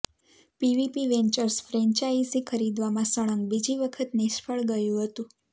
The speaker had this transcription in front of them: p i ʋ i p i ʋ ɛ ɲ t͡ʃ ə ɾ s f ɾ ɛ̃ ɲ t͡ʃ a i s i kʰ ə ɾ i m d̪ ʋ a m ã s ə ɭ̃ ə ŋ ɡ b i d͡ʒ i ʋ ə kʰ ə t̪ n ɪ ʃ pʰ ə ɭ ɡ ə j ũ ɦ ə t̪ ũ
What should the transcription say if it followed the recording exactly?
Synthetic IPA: p i ʋ i p i ʋ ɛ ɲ t͡ʃ ə ɾ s f ɾ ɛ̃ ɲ t͡ʃ a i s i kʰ ə ɾ i d̪ ʋ a m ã s ə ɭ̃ ə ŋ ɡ b i d͡ʒ i ʋ ə kʰ ə t̪ n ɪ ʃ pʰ ə ɭ ɡ ə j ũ ɦ ə t̪ ũ